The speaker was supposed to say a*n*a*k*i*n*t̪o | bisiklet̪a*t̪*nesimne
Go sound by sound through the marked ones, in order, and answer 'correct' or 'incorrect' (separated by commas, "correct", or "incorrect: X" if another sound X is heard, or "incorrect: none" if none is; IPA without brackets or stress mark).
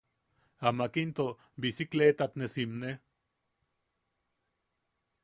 incorrect: m, correct, correct, correct